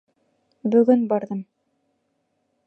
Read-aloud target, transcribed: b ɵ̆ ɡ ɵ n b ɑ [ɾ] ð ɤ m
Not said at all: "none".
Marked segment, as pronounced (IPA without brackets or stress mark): ɾ